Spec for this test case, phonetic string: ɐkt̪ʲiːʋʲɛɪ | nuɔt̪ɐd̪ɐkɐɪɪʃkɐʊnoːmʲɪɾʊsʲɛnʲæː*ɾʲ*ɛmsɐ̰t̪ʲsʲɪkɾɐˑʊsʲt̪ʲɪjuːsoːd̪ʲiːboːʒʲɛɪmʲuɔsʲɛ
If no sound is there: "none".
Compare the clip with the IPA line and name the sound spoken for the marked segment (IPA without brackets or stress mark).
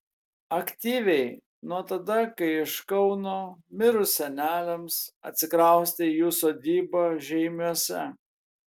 lʲ